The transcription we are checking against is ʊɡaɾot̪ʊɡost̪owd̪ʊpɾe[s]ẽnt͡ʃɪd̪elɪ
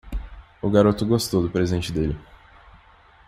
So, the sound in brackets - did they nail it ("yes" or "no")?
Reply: no